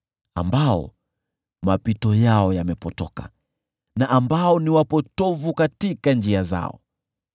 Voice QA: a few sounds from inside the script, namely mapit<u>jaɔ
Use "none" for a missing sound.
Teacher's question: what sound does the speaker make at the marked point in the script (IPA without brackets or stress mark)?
ɔ